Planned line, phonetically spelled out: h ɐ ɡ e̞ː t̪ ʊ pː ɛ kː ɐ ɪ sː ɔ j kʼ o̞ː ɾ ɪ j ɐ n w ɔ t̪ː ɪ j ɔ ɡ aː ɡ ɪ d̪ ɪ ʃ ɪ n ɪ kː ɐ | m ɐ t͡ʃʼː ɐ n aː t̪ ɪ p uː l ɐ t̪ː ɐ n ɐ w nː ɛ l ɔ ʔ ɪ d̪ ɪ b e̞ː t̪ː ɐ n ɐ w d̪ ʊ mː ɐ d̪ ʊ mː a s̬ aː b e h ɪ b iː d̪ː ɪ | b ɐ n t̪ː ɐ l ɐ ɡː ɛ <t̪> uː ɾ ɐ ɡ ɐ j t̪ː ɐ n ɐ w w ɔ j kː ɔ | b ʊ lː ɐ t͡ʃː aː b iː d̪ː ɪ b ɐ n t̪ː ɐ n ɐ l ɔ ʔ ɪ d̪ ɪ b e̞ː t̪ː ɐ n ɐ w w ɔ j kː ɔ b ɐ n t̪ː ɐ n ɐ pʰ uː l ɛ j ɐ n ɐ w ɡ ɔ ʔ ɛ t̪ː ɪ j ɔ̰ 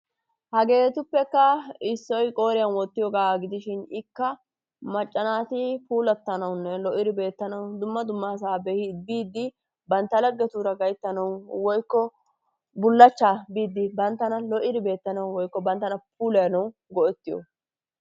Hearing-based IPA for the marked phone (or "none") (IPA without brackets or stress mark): t̪